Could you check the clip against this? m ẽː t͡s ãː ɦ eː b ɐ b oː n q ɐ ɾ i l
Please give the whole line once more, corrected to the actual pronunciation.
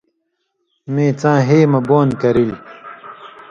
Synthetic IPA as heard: m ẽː t͡s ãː ɦ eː m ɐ b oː n k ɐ ɾ i l